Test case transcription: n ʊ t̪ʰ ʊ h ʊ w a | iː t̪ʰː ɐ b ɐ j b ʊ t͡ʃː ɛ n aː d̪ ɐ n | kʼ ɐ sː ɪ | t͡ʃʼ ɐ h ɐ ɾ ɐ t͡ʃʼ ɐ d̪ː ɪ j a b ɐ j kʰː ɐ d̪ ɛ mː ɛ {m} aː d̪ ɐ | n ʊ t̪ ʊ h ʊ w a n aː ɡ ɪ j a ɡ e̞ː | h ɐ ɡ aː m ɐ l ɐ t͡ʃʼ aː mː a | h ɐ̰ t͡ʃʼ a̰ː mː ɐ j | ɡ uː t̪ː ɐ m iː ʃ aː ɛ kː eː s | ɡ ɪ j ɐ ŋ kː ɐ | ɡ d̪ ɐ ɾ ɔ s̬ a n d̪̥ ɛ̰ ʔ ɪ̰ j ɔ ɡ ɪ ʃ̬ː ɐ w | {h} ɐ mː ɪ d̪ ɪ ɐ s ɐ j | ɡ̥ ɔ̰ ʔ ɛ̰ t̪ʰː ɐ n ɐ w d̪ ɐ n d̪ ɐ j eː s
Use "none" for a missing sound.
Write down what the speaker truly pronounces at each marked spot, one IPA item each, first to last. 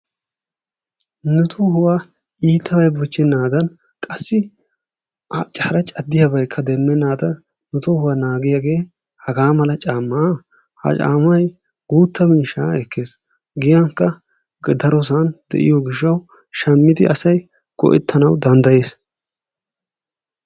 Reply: n, ʃ

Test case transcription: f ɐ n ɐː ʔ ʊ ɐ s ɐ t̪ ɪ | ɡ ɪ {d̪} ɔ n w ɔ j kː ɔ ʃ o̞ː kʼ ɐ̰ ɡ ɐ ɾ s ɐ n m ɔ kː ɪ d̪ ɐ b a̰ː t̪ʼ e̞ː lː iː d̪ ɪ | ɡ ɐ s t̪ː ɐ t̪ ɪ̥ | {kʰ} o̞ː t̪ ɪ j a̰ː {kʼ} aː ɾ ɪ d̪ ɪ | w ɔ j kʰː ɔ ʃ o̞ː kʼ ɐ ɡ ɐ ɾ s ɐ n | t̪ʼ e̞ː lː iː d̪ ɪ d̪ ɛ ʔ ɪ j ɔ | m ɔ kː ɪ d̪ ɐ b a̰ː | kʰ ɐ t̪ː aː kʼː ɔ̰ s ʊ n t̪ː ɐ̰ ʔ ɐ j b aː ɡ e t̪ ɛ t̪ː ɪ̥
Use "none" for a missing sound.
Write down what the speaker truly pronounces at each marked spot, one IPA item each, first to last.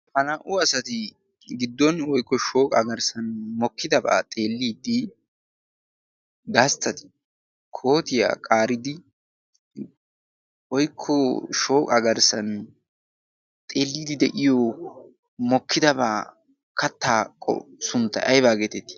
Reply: d̪ː, kʰ, kʼ

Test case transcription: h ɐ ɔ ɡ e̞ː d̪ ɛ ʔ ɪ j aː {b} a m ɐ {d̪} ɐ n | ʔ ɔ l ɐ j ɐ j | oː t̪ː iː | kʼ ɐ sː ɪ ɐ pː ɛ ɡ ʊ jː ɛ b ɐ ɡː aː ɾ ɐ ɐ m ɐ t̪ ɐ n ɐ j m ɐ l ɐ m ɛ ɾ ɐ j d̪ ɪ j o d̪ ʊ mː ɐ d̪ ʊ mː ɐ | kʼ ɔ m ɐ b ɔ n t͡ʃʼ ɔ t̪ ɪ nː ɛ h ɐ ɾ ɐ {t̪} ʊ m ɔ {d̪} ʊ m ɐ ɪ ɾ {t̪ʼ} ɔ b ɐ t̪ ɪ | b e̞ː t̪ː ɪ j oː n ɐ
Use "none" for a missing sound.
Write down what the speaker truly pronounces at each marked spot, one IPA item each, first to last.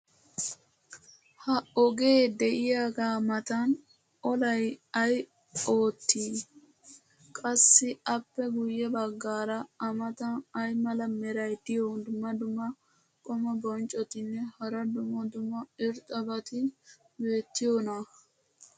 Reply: ɡ, t̪, d̪, d̪, t̪ʼ

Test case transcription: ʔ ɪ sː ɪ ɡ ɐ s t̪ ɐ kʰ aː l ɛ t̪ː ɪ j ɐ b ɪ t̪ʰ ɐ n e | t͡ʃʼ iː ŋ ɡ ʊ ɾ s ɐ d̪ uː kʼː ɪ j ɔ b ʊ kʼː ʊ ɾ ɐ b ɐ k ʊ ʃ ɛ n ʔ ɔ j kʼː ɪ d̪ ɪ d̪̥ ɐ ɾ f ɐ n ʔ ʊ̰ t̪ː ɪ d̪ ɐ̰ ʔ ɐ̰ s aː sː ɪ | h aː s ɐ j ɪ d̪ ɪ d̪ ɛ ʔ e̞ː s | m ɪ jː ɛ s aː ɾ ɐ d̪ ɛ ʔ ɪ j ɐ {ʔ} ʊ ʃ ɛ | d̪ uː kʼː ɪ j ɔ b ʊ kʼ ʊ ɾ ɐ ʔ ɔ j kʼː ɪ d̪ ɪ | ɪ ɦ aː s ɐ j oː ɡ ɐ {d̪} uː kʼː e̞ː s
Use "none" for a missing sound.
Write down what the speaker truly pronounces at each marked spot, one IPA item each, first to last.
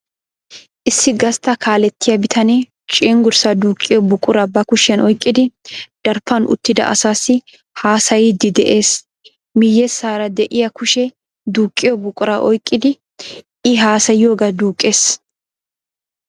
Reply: k, d̪

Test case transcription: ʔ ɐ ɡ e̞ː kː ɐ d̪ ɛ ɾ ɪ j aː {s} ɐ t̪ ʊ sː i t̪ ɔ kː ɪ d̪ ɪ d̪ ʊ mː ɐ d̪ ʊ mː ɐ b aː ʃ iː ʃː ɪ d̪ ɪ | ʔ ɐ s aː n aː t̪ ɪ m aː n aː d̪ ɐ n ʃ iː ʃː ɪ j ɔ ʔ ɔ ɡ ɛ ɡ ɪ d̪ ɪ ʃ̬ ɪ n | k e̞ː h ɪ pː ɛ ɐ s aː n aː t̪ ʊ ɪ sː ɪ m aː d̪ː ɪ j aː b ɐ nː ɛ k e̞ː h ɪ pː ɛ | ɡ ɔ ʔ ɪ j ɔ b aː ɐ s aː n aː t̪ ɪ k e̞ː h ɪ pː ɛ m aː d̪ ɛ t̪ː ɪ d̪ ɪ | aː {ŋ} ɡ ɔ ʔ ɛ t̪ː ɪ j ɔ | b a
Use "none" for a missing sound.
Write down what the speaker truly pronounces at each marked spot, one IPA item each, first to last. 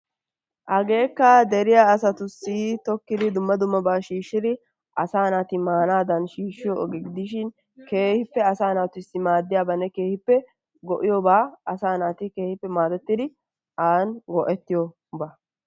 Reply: s, n

